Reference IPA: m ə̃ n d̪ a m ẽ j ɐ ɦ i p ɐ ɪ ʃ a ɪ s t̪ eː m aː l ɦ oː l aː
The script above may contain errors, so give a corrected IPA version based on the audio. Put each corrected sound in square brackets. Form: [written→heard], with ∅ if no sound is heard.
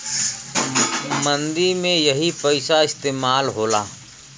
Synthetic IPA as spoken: m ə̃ n d̪ [a→i] m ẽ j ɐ ɦ i p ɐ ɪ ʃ a ɪ s t̪ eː m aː l ɦ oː l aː